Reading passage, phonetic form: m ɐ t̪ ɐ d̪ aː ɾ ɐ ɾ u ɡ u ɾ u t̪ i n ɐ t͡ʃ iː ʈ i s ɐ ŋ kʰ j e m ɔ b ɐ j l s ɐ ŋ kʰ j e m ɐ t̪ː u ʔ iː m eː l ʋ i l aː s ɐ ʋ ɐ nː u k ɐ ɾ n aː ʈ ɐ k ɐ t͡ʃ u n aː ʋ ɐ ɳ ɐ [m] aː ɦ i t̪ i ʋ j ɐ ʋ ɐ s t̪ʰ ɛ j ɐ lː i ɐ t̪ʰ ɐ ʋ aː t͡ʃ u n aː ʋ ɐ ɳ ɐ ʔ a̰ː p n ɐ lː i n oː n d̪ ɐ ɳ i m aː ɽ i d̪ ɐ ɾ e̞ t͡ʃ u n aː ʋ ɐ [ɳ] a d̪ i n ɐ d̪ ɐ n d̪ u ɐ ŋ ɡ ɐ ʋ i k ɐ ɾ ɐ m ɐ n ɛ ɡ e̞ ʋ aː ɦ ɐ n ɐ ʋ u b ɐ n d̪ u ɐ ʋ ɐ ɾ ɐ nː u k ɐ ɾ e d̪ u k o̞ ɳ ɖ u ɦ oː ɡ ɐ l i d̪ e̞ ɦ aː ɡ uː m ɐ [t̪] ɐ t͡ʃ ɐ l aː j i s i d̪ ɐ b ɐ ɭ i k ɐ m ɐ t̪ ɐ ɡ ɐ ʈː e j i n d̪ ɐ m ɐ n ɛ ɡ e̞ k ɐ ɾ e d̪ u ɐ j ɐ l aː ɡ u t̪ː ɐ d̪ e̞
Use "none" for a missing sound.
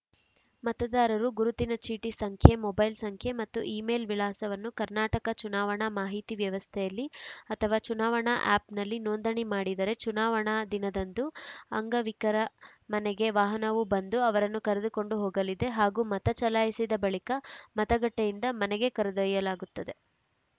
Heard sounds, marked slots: m, ɳ, t̪

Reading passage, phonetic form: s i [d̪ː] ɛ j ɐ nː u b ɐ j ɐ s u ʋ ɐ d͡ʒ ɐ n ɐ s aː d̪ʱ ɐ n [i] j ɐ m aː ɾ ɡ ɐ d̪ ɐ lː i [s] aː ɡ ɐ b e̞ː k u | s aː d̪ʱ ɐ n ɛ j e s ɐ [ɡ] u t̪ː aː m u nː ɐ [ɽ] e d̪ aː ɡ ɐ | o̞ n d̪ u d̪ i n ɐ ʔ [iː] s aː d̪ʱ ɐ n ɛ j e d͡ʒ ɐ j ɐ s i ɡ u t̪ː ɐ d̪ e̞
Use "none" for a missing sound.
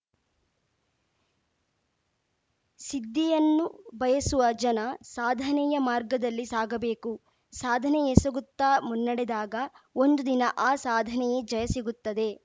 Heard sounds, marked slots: d̪ː, ɛ, s, ɡ, ɽ, aː

